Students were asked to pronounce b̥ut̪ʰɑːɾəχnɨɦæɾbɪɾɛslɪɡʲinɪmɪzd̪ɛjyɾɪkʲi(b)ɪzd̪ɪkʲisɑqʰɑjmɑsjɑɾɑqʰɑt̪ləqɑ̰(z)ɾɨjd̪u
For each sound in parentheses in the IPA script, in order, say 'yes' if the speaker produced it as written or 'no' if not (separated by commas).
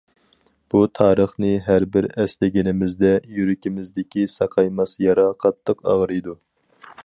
no, no